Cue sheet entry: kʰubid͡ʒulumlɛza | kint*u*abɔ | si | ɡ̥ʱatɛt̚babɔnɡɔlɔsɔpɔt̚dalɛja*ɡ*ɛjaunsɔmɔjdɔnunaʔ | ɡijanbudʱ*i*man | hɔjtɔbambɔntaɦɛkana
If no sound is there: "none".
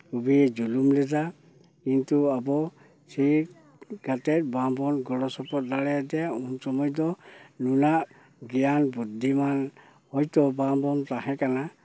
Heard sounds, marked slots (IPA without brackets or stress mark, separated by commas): u, d, i